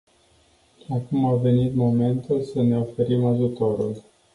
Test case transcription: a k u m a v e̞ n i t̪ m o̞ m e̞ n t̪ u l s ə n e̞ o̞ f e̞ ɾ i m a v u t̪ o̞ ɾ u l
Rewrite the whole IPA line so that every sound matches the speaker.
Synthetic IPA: a k u m a v e̞ n i t̪ m o̞ m e̞ n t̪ u l s ə n e̞ o̞ f e̞ ɾ i m a ʒ u t̪ o̞ ɾ u l